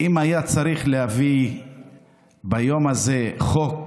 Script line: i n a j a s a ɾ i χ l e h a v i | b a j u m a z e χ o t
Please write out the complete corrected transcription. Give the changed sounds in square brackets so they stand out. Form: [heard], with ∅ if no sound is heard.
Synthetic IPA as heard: i [m] a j a [t͡s] a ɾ i χ l e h a v i | b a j [o] m a z e χ o [k]